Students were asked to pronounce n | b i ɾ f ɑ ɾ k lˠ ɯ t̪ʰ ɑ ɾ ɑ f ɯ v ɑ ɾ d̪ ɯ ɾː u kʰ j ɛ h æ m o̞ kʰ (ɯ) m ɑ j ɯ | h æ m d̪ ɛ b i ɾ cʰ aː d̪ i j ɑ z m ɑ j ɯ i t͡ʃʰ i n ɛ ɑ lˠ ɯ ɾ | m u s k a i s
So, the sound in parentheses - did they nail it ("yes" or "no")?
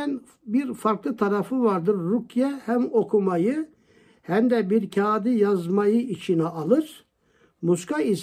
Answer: no